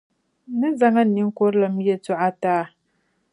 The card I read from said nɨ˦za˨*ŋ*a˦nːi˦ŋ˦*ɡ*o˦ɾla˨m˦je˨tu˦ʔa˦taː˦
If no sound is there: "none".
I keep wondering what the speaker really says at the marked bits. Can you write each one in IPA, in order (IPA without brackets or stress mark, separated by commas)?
ŋ, k